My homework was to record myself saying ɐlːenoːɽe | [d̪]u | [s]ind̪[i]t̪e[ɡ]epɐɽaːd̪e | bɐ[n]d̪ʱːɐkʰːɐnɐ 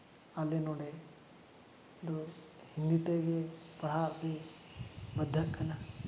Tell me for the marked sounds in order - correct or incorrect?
correct, incorrect: h, correct, correct, incorrect: none

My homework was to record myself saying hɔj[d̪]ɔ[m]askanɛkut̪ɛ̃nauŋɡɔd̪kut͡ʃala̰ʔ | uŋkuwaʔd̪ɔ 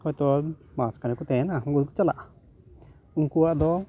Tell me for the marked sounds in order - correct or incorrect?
incorrect: t̪, correct

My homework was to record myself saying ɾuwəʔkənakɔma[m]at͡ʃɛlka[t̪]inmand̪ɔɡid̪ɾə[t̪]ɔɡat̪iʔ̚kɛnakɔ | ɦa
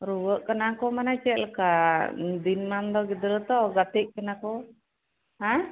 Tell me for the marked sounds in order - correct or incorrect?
incorrect: n, incorrect: d̪, correct

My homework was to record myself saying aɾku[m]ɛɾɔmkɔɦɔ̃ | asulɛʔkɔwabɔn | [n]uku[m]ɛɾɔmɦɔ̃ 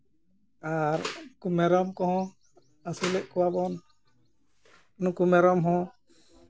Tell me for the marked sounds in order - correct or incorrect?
correct, correct, correct

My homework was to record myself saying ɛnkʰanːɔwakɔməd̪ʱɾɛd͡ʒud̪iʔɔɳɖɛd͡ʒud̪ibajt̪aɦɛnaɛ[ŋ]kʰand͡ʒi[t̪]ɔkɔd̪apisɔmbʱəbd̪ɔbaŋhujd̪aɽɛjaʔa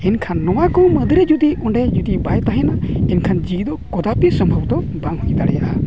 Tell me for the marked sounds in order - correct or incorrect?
incorrect: n, incorrect: d̪

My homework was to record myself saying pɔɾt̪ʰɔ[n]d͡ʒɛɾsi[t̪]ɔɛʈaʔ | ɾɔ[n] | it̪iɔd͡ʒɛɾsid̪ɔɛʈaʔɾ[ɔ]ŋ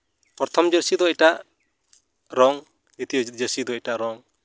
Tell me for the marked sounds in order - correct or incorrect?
incorrect: m, incorrect: d̪, incorrect: ŋ, correct

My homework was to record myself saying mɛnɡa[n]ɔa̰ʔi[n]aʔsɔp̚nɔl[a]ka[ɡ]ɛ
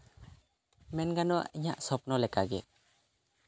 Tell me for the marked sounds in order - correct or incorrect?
correct, incorrect: ɲ, incorrect: ɛ, correct

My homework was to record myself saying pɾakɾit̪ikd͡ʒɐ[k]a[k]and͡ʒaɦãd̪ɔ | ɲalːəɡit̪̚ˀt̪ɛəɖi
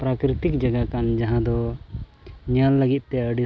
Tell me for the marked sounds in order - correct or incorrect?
incorrect: ɡ, correct

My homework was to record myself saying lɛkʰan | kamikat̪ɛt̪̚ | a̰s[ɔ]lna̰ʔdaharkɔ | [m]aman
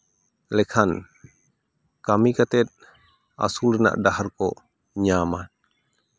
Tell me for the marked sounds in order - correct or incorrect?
incorrect: u, incorrect: ɲ

